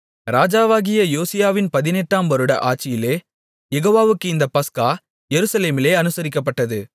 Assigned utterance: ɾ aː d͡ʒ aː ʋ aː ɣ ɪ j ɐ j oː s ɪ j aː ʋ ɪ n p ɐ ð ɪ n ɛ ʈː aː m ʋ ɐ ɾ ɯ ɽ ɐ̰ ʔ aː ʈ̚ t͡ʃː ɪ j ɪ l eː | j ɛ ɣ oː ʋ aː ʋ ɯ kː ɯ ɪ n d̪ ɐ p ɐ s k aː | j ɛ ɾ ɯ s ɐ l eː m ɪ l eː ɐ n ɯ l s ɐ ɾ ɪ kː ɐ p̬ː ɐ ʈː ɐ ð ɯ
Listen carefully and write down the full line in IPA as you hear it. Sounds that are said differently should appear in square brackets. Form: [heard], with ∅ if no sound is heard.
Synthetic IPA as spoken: ɾ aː d͡ʒ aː ʋ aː ɣ ɪ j ɐ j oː s ɪ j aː ʋ ɪ n p ɐ ð ɪ n ɛ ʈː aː m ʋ ɐ ɾ ɯ ɽ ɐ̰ ʔ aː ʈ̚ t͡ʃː ɪ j ɪ l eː | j ɛ ɣ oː ʋ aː ʋ ɯ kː ɯ ɪ n d̪ ɐ p ɐ s k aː | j ɛ ɾ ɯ s ɐ l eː m ɪ l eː ɐ n ɯ [∅] s ɐ ɾ ɪ kː ɐ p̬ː ɐ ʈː ɐ ð ɯ